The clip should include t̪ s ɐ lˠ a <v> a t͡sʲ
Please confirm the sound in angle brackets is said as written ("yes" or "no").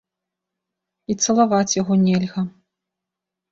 yes